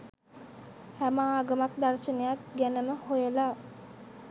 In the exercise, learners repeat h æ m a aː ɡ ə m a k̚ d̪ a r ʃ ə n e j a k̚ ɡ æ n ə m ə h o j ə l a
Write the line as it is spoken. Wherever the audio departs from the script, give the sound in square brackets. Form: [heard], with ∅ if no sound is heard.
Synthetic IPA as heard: h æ m a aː ɡ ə m a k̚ d̪ a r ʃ ə n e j a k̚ ɡ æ n ə m ə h o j ə l a